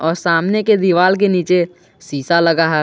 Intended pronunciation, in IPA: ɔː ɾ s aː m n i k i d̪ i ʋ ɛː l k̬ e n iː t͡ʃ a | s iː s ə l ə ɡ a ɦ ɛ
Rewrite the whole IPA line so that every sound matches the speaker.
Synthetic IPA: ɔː ɾ s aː m n e k e d̪ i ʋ aː l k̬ e n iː t͡ʃ e | s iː s a l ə ɡ a ɦ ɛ